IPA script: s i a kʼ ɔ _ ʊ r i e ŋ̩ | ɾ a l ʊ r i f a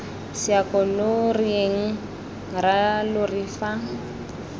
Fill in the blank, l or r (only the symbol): l